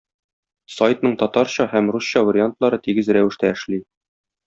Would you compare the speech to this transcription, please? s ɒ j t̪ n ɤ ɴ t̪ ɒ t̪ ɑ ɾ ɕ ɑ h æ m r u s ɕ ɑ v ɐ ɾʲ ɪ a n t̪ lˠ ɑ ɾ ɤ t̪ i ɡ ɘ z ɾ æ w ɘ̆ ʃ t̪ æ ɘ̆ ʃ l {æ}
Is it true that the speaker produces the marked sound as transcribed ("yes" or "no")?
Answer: no